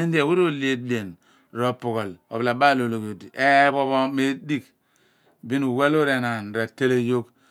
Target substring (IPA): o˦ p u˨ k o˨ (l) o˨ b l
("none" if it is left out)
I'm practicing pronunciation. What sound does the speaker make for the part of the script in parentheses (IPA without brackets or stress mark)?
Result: l